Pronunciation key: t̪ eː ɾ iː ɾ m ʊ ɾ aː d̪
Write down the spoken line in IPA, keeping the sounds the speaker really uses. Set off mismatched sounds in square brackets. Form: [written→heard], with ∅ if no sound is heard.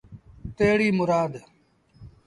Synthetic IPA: t̪ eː [ɾ→ɽ] iː [ɾ→∅] m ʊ ɾ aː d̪